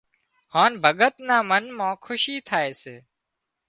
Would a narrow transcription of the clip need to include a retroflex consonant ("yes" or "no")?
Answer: no